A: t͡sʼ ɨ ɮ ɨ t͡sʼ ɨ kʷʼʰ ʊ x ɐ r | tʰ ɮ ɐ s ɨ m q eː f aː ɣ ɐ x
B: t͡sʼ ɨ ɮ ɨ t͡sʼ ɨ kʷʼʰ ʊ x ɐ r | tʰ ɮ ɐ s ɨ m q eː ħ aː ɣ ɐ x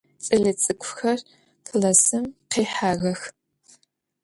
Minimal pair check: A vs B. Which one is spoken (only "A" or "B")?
B